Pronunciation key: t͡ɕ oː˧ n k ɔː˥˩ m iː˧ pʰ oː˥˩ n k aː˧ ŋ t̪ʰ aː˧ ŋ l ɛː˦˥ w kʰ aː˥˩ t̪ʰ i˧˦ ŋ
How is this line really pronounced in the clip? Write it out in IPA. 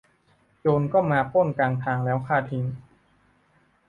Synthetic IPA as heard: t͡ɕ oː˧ n k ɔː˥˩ m aː˧ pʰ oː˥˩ n k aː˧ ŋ t̪ʰ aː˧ ŋ l ɛː˦˥ w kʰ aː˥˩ t̪ʰ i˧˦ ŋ